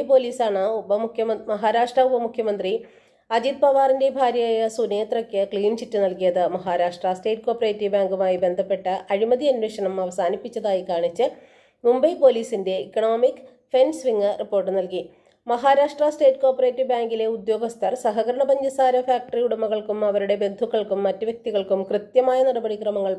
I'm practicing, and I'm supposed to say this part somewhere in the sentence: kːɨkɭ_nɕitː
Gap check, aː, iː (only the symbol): iː